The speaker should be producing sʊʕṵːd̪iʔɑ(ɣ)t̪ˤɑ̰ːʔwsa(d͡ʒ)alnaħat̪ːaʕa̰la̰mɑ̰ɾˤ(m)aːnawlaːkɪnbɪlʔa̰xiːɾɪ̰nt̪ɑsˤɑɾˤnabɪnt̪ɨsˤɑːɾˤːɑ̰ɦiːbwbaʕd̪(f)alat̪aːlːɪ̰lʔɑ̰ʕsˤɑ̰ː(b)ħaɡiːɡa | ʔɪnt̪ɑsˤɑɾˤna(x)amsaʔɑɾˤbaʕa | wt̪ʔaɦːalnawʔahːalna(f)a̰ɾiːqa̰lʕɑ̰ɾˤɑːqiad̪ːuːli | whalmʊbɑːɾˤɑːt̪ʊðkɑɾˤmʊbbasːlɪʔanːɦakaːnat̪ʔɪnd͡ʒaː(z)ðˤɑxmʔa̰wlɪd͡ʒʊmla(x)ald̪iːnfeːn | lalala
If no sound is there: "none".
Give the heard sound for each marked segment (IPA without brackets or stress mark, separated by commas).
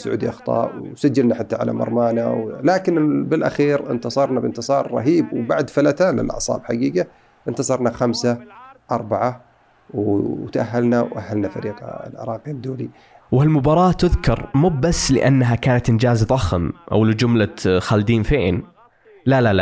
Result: x, d͡ʒː, m, f, b, x, f, z, x